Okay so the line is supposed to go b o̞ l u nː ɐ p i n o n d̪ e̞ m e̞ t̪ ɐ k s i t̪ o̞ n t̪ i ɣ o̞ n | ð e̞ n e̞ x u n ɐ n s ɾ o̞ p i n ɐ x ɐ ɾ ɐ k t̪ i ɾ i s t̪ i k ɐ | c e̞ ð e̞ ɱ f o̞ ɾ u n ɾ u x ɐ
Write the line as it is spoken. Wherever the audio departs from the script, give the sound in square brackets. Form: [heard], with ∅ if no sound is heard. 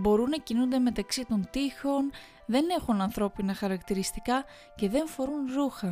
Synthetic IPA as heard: b o̞ [ɾ] u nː ɐ [c] i n [u] n d̪ e̞ m e̞ t̪ ɐ k s i t̪ o̞ n t̪ i [x] o̞ n | ð e̞ n e̞ x u n ɐ n [θ] ɾ o̞ p i n ɐ x ɐ ɾ ɐ k t̪ i ɾ i s t̪ i k ɐ | c e̞ ð e̞ ɱ f o̞ ɾ u n ɾ u x ɐ